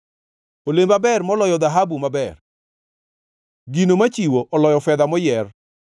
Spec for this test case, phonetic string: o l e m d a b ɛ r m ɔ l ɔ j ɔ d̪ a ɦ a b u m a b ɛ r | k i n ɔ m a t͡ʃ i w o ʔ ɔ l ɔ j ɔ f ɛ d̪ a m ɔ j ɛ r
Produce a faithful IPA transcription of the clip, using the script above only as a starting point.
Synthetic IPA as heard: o l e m b a b ɛ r m ɔ l ɔ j ɔ d̪ a ɦ a b u m a b ɛ r | ɡ i n o m a t͡ʃ i w o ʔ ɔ l ɔ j ɔ f ɛ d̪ a m ɔ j ɛ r